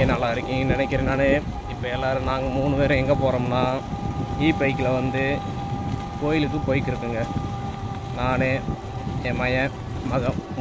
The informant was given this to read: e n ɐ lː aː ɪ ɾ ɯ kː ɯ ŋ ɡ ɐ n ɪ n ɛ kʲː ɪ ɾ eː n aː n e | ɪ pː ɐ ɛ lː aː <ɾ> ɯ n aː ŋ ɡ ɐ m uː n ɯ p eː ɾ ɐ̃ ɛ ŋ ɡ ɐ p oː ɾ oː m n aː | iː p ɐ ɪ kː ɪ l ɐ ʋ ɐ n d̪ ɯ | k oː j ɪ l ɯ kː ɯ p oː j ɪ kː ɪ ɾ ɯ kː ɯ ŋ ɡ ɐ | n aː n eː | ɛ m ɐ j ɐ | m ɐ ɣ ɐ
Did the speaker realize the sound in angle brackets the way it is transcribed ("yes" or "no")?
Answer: yes